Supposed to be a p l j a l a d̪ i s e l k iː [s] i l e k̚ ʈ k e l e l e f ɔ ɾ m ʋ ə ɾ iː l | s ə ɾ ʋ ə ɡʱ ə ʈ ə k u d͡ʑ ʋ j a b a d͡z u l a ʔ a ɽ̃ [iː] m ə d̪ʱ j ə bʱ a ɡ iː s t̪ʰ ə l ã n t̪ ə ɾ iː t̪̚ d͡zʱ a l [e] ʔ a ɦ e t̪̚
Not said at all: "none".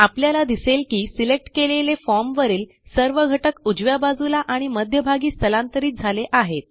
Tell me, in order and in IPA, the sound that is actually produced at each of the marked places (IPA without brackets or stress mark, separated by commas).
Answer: s, i, e